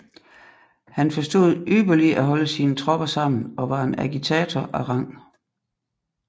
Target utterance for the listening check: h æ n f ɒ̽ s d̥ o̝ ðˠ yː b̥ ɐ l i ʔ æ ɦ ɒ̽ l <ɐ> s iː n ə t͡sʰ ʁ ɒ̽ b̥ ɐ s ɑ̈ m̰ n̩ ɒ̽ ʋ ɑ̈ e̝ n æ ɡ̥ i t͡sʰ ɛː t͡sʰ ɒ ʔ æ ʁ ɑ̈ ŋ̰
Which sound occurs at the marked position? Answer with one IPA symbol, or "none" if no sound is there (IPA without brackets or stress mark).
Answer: ə